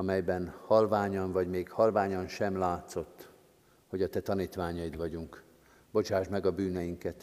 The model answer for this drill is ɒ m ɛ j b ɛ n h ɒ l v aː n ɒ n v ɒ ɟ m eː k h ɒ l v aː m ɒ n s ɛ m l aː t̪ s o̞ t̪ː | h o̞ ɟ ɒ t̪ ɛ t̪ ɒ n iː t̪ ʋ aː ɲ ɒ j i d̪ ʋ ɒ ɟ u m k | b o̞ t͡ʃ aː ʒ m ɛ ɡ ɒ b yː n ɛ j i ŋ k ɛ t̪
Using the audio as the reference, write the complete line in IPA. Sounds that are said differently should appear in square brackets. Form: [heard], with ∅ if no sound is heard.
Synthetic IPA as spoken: ɒ m ɛ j b ɛ n h ɒ l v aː [ɲ] ɒ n v ɒ ɟ m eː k h ɒ l v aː [ɲ] ɒ n [ʃ] ɛ m l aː t̪ s o̞ t̪ː | h o̞ ɟ ɒ t̪ ɛ t̪ ɒ n iː t̪ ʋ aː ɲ ɒ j i d̪ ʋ ɒ ɟ u [ŋ] k | b o̞ t͡ʃ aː ʒ m ɛ ɡ ɒ b yː n ɛ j i ŋ k ɛ t̪